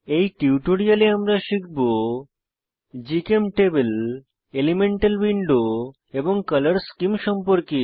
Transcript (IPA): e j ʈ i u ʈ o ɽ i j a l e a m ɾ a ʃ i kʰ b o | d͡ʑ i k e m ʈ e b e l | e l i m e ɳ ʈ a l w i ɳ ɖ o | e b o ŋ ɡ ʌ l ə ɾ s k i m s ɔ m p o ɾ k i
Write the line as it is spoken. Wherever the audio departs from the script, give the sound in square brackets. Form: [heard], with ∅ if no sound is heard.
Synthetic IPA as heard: e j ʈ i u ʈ o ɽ i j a l e a m ɾ a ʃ i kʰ b o | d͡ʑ i k e m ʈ e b e l | e l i m e ɳ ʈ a l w i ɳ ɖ o | e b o ŋ [k] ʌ l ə ɾ s k i m [ʃ] ɔ m p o ɾ k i